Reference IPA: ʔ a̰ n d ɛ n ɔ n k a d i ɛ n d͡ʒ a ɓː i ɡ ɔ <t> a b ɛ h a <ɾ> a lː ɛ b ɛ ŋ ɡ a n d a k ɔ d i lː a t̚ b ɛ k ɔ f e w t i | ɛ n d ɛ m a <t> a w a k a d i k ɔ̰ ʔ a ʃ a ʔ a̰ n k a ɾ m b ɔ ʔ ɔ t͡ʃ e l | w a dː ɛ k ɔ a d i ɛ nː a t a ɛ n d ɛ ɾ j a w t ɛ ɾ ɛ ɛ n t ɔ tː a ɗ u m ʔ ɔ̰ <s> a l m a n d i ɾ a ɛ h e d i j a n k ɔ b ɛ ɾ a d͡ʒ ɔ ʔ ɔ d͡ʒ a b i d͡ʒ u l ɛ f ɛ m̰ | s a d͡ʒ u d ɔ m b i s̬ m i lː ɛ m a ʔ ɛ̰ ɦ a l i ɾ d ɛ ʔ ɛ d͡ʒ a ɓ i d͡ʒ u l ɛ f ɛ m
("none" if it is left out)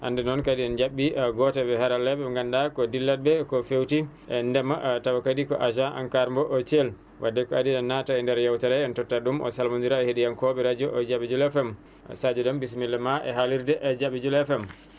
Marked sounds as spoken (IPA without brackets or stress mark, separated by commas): t, ɾ, t, s